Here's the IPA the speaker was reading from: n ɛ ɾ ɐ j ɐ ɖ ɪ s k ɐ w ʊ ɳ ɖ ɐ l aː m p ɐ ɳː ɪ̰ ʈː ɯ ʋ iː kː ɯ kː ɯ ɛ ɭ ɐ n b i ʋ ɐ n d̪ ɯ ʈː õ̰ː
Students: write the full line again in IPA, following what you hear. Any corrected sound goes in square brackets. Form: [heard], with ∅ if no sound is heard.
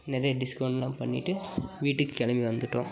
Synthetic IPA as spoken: n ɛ ɾ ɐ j ɐ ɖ ɪ s k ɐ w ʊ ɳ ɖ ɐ l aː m p ɐ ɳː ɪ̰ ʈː ɯ ʋ iː [ʈː] ɯ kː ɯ ɛ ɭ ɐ [m] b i ʋ ɐ n d̪ ɯ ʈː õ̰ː

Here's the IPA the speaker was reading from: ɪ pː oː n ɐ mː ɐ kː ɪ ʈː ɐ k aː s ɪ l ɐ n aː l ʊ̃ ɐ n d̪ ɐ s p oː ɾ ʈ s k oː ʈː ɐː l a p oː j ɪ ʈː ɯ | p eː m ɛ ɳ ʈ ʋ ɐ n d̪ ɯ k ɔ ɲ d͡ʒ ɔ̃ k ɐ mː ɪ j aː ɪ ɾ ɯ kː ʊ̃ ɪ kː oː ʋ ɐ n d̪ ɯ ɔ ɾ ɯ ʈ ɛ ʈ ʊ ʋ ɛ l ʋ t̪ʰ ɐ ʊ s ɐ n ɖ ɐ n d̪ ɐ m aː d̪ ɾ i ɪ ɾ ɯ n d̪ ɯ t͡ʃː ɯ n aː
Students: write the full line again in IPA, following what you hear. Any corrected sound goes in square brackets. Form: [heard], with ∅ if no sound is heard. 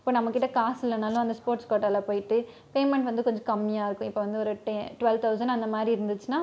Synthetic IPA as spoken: ɪ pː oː n ɐ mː ɐ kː ɪ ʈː ɐ k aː s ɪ l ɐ n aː l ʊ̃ ɐ n d̪ ɐ s p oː ɾ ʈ s k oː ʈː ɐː l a p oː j ɪ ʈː ɯ | p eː m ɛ ɳ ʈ ʋ ɐ n d̪ ɯ k ɔ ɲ d͡ʒ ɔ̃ k ɐ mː ɪ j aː ɪ ɾ ɯ kː ʊ̃ ɪ [pː] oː ʋ ɐ n d̪ ɯ ɔ ɾ ɯ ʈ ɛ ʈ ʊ ʋ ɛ l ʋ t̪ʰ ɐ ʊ s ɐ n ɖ ɐ n d̪ ɐ m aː d̪ ɾ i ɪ ɾ ɯ n d̪ ɯ t͡ʃː ɯ n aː

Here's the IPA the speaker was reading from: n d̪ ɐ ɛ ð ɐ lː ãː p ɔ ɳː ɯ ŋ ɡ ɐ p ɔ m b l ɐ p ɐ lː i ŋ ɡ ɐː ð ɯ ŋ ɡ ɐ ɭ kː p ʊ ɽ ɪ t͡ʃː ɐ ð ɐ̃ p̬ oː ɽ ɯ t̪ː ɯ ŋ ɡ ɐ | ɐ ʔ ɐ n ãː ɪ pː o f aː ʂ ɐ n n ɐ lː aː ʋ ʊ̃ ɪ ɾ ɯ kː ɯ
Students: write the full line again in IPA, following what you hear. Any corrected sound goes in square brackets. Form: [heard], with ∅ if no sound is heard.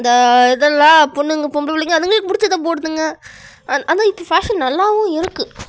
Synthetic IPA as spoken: n d̪ ɐ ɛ ð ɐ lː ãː p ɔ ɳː ɯ ŋ ɡ ɐ p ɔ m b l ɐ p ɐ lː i ŋ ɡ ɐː ð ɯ ŋ ɡ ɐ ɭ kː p ʊ ɽ ɪ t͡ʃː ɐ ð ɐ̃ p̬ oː ɽ ɯ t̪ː ɯ ŋ ɡ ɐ | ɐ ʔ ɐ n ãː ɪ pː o f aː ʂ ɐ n n ɐ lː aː ʋ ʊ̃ ɪ ɾ ɯ kː ɯ

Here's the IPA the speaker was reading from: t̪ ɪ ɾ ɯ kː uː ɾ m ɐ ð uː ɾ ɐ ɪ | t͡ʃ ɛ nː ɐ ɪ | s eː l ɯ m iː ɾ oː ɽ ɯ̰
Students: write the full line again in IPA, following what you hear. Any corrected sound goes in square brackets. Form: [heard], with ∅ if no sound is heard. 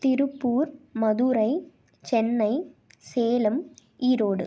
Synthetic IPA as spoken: t̪ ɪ ɾ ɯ [pː] uː ɾ m ɐ ð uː ɾ ɐ ɪ | t͡ʃ ɛ nː ɐ ɪ | s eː l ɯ m iː ɾ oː ɽ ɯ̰

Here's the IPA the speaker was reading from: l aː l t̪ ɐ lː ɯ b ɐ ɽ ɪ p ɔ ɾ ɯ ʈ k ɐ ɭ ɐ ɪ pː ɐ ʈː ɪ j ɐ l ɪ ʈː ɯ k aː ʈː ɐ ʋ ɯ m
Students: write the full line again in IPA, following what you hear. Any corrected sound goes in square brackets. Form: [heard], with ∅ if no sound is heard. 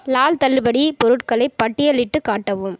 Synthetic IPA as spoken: l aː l t̪ ɐ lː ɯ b ɐ ɽ [i] p ɔ ɾ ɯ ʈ k ɐ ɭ ɐ ɪ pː ɐ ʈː ɪ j ɐ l ɪ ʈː ɯ k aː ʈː ɐ ʋ ɯ m

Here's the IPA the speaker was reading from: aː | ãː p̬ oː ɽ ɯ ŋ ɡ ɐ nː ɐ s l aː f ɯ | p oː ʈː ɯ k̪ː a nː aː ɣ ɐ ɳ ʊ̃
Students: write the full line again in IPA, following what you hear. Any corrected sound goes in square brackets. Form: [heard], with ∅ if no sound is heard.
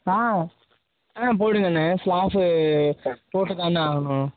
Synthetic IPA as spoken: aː | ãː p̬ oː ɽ ɯ ŋ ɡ ɐ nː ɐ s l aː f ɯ | p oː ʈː ɯ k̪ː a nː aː ɣ ɐ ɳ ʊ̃

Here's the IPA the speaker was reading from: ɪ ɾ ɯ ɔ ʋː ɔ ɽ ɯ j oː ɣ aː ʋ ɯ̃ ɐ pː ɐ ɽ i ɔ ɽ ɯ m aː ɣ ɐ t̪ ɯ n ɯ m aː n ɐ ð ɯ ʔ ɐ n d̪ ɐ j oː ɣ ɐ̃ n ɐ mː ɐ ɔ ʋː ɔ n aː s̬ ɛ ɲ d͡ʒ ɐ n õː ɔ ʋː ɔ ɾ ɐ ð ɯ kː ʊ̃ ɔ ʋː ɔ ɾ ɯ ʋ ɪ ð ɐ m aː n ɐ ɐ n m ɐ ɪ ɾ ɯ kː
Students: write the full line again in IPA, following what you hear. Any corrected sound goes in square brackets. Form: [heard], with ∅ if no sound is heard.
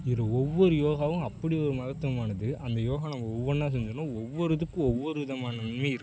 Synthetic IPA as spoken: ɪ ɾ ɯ ɔ ʋː ɔ [ɾ] ɯ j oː ɣ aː ʋ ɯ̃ ɐ pː ɐ ɽ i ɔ [ɾ] ɯ m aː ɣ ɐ t̪ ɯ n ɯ m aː n ɐ ð ɯ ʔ ɐ n d̪ ɐ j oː ɣ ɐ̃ n ɐ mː ɐ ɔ ʋː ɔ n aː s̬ ɛ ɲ d͡ʒ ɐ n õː ɔ ʋː ɔ ɾ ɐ ð ɯ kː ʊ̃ ɔ ʋː ɔ ɾ ɯ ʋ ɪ ð ɐ m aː n ɐ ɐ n m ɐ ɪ ɾ ɯ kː

